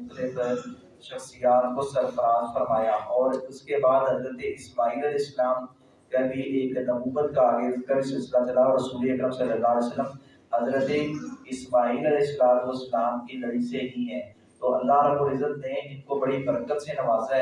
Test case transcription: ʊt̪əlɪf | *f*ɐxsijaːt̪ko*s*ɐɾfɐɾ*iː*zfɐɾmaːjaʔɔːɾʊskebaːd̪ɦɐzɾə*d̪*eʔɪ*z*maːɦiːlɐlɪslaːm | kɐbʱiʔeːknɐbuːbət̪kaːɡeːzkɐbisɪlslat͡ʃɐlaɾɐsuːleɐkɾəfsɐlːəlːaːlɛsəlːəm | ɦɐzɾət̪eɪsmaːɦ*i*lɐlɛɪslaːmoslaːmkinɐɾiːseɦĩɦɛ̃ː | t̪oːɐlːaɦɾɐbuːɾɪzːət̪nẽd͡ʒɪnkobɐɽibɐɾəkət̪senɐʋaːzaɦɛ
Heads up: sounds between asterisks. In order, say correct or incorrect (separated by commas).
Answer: incorrect, correct, incorrect, incorrect, incorrect, incorrect